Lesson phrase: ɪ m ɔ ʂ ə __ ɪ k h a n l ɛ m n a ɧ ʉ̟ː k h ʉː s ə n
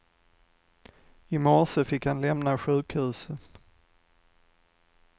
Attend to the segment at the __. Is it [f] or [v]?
f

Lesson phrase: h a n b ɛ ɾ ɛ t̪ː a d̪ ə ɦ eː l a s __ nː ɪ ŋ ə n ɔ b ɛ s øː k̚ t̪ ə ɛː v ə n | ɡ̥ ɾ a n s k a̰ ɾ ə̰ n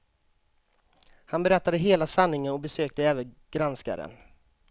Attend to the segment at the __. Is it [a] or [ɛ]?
a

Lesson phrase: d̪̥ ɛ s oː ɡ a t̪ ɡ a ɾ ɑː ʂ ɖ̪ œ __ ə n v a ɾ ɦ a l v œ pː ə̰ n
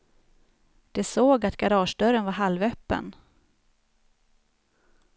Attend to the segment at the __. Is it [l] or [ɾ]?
ɾ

